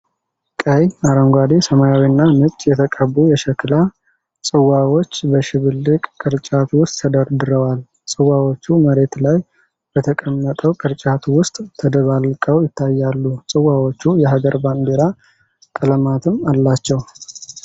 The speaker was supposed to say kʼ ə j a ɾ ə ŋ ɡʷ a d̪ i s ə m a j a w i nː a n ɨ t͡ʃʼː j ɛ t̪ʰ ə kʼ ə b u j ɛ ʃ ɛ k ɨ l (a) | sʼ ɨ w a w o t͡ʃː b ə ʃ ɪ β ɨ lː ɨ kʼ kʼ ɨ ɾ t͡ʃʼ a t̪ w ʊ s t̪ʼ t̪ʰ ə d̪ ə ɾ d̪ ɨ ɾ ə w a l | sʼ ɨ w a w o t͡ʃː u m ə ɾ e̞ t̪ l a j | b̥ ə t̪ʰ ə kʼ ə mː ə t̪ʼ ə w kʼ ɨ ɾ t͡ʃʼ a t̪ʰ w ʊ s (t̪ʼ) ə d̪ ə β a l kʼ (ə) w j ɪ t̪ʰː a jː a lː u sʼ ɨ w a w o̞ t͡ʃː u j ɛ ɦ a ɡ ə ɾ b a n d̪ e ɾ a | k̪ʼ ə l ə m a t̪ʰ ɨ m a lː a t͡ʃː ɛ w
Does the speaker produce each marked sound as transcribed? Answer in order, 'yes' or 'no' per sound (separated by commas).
yes, no, yes